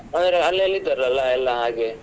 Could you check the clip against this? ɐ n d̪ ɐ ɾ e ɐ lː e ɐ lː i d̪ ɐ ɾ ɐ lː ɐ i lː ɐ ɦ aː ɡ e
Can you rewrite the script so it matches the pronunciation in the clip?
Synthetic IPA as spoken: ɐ n d̪ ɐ ɾ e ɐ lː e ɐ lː i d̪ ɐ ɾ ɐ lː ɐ ɛ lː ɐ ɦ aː ɡ e